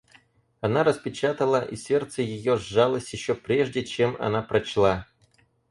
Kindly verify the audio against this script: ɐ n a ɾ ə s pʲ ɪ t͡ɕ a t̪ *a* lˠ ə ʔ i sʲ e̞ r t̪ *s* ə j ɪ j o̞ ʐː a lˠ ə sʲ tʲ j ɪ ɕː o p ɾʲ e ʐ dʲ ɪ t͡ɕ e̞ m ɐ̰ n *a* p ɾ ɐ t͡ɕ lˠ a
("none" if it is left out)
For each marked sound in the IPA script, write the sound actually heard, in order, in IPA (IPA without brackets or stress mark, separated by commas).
ə, s, a